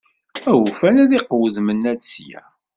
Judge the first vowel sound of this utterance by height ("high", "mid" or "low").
low